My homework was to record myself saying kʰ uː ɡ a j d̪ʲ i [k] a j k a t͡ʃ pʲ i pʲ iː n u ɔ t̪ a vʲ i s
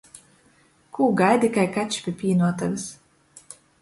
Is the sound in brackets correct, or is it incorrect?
correct